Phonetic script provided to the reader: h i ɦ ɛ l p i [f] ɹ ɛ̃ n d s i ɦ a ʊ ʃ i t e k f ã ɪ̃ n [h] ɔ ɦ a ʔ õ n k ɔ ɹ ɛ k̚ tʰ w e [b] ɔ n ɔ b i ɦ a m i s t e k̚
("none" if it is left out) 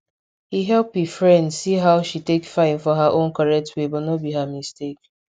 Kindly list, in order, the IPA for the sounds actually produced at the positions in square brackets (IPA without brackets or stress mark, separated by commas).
f, f, b